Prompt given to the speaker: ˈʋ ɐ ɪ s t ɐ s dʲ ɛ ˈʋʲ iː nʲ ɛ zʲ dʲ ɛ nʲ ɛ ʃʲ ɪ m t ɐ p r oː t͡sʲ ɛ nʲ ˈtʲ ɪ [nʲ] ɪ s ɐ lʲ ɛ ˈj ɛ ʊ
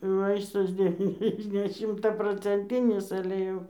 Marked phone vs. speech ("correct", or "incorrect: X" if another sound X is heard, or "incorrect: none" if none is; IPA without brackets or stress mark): correct